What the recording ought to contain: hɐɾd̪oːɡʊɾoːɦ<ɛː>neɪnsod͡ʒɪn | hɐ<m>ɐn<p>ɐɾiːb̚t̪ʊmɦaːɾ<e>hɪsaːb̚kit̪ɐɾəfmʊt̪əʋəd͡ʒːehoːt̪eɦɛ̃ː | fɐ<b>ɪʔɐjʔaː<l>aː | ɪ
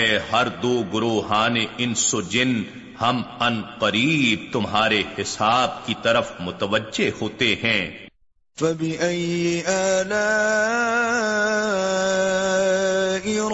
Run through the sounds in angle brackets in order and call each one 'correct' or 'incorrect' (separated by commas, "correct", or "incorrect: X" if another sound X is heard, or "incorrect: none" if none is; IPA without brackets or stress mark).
incorrect: aː, correct, incorrect: q, correct, correct, correct